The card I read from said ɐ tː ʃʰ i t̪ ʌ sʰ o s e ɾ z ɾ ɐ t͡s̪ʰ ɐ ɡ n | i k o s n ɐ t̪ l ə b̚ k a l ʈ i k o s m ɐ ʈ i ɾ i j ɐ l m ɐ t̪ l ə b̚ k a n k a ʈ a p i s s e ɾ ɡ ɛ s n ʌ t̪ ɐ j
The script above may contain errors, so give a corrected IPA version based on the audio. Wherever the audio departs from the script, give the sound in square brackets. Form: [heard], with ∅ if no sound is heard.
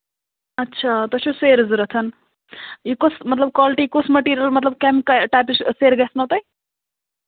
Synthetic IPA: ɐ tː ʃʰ [a] t̪ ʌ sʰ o s e ɾ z ɾ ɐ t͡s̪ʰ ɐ [∅] n | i k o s [m] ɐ t̪ l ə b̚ k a l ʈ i k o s m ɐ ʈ i ɾ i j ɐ l m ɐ t̪ l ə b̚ k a [m] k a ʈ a p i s s e ɾ ɡ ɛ s n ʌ t̪ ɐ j

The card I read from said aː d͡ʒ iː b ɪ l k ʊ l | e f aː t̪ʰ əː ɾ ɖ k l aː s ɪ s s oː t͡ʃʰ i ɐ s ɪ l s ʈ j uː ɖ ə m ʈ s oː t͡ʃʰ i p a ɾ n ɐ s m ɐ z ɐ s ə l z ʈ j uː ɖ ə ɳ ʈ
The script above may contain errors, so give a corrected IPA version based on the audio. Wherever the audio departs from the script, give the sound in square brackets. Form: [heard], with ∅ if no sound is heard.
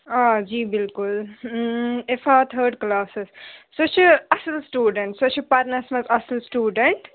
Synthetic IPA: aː d͡ʒ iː b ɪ l k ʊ l | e f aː t̪ʰ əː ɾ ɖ k l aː s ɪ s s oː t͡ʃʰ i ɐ s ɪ l s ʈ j uː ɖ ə [ɳ] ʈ s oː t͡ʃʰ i p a ɾ n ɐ s m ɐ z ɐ s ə l [s] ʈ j uː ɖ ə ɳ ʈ

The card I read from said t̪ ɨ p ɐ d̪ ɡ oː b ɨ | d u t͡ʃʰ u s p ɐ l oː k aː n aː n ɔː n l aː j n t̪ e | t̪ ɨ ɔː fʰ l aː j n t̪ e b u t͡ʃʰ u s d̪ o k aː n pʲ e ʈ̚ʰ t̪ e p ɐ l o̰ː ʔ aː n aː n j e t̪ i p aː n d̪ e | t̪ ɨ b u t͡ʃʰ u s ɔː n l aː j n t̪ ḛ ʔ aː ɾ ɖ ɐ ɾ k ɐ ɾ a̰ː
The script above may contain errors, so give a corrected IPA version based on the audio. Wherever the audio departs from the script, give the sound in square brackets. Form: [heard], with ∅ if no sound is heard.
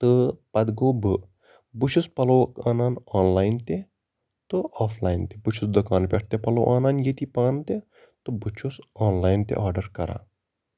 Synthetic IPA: t̪ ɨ p ɐ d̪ ɡ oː b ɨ | [b] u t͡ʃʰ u s p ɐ l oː k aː n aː n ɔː n l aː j n t̪ e | t̪ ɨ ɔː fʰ l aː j n t̪ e b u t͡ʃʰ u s d̪ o k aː n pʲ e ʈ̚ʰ t̪ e p ɐ l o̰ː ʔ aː n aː n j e t̪ i p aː n [t̪] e | t̪ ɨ b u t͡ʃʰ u s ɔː n l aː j n t̪ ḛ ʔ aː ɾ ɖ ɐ ɾ k ɐ ɾ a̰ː

